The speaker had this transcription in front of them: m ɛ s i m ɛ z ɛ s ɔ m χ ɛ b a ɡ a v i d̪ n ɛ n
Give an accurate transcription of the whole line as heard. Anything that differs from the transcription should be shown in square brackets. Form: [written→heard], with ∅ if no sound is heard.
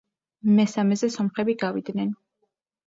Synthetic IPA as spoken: m ɛ s [i→a] m ɛ z ɛ s ɔ m χ ɛ b [a→i] ɡ a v i d̪ n ɛ n